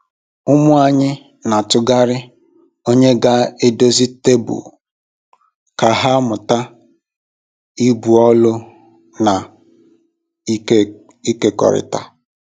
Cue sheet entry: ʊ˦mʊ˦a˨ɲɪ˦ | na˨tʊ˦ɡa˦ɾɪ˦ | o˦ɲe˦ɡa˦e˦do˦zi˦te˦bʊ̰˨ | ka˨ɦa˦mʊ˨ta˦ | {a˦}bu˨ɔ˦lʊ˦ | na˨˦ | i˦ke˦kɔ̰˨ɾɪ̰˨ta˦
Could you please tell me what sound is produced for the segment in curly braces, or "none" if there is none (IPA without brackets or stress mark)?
i˦